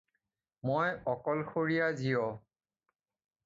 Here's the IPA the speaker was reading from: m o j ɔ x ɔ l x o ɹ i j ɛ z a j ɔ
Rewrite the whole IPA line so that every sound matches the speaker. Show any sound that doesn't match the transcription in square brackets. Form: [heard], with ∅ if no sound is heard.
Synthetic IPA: m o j ɔ [k] ɔ l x o ɹ i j [a] z [i] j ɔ